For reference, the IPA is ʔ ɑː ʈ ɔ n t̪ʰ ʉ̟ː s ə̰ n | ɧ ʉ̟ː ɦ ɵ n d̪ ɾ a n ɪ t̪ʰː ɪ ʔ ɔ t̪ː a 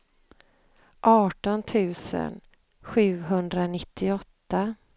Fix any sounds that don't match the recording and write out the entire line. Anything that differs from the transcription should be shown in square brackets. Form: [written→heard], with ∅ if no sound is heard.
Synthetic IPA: ʔ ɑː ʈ ɔ n t̪ʰ ʉ̟ː s ə̰ n | ɧ ʉ̟ː ɦ ɵ n d̪ ɾ a n ɪ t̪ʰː ɪ [ʔ→∅] ɔ t̪ː a